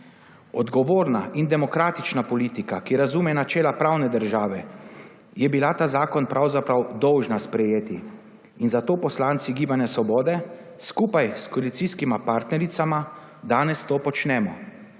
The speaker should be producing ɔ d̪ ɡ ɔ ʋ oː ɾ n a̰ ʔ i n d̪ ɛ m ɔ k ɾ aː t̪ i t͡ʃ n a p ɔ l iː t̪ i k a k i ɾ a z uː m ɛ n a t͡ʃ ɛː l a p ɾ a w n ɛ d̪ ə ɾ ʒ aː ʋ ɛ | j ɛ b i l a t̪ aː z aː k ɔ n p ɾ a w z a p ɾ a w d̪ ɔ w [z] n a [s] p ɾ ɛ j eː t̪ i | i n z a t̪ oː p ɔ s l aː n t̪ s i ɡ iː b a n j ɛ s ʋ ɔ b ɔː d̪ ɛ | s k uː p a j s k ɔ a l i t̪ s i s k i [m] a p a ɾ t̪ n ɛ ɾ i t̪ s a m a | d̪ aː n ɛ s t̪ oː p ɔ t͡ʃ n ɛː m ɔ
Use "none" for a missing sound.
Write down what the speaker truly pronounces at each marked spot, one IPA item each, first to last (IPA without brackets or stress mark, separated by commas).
ʒ, s, m